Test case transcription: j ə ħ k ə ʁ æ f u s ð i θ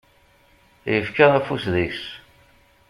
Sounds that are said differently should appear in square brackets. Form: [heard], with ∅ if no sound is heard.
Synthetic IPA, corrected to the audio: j ə [f] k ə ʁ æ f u s ð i [s]